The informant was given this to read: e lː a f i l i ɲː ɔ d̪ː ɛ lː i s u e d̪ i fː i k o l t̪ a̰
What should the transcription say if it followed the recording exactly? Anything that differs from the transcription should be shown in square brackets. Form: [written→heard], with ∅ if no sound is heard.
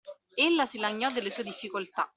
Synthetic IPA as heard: e lː a [f→s] i l [i→a] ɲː ɔ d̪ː [ɛ→e] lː [i→e] s u e d̪ i fː i k o l t̪ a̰

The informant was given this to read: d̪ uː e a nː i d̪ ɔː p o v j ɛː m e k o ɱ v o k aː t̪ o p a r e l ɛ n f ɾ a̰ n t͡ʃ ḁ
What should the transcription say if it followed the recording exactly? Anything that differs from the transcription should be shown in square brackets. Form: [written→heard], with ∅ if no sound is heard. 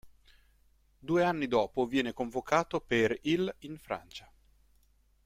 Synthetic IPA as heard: d̪ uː e a nː i d̪ ɔː p o v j ɛː [m→n] e k o ɱ v o k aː t̪ o p [a→e] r [e→i] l [ɛ→i] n f ɾ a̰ n t͡ʃ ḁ

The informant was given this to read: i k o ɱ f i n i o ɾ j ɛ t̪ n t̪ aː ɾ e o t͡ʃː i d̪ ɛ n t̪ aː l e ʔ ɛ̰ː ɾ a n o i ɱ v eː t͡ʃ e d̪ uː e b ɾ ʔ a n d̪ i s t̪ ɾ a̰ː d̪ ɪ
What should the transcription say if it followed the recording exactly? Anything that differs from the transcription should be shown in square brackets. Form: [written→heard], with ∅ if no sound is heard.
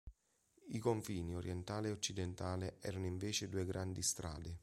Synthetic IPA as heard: i k o ɱ f [i→iː] n i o ɾ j ɛ [t̪→∅] n t̪ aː [ɾ→l] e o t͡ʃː i d̪ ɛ n t̪ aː l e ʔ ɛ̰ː ɾ a n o i ɱ v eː t͡ʃ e d̪ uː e [b→ɡ] ɾ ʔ a n d̪ i s t̪ ɾ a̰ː d̪ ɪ

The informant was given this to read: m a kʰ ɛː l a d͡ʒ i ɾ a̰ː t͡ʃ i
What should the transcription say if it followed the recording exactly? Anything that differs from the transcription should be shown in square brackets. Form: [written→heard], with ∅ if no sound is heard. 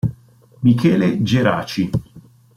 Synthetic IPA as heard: m [a→i] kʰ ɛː l [a→e] d͡ʒ [i→e] ɾ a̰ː t͡ʃ i

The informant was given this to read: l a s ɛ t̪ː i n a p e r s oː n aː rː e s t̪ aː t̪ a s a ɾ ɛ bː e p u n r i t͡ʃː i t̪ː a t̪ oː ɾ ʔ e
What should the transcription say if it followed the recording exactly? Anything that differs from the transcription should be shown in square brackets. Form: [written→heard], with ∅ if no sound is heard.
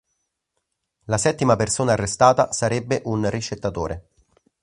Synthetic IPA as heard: l a s ɛ t̪ː i [n→m] a p e r s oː n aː rː e s t̪ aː t̪ a s a ɾ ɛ bː e [p→ʔ] u n r i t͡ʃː [i→e] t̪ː a t̪ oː ɾ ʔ e

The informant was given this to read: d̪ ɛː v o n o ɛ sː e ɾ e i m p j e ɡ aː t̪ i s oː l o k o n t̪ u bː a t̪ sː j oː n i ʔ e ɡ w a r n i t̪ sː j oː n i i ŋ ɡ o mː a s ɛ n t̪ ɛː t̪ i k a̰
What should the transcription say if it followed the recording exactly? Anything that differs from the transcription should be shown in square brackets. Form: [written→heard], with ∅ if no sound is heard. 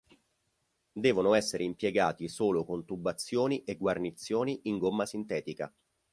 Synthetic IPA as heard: d̪ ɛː v o n o ɛ sː e ɾ e i m p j e ɡ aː t̪ i s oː l o k o n t̪ u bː a t̪ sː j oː n i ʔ e ɡ w a r n i t̪ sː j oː n i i ŋ ɡ o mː a s [ɛ→i] n t̪ ɛː t̪ i k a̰

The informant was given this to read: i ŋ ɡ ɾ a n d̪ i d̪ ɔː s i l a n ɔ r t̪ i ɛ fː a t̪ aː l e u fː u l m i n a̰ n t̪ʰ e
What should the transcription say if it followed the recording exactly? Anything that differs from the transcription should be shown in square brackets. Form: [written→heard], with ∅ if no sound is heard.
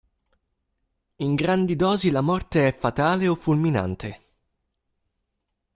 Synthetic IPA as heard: i ŋ ɡ ɾ a n d̪ i d̪ ɔː [s→z] i l a [n→m] ɔ r t̪ [i→e] ɛ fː a t̪ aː l e [u→o] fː u l m i n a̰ n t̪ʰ e

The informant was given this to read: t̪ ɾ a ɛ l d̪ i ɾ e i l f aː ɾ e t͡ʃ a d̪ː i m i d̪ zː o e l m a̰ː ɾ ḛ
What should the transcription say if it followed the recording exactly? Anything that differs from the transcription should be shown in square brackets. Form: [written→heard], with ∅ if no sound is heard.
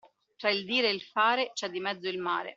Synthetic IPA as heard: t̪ ɾ a [ɛ→i] l d̪ [i→iː] ɾ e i l f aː ɾ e t͡ʃ [a→ɛ] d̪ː i m [i→ɛ] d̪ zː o [e→i] l m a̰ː ɾ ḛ

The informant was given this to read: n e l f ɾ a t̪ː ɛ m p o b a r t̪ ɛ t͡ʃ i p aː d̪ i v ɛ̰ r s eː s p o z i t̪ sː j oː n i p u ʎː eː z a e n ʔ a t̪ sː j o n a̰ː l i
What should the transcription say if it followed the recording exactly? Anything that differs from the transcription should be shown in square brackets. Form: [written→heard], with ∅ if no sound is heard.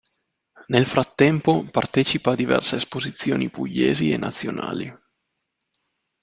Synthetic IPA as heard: n e l f ɾ a t̪ː ɛ m p o [b→p] a r t̪ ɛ t͡ʃ i p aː d̪ i v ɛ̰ r s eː s p o z i t̪ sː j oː n i p u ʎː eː z [a→i] e n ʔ a t̪ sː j o n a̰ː l i

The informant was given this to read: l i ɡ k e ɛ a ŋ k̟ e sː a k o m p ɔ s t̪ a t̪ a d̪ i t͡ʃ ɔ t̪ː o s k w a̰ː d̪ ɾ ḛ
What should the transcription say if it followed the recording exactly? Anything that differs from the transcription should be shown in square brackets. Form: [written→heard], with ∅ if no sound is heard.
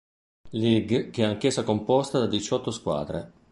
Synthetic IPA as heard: l i ɡ k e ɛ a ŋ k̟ e sː a k o m p ɔ s t̪ a [t̪→d̪] a d̪ i t͡ʃ ɔ t̪ː o s k w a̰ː d̪ ɾ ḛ

